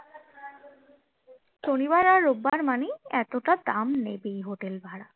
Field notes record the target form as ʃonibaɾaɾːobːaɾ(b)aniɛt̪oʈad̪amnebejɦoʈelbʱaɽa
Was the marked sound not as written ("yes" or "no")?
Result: yes